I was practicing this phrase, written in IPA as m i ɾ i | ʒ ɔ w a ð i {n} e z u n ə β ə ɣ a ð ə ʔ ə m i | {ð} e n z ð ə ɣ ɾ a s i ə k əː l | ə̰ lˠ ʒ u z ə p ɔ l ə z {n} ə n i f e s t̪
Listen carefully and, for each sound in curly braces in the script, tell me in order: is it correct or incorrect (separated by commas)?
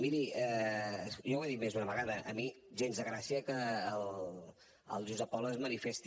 incorrect, incorrect, incorrect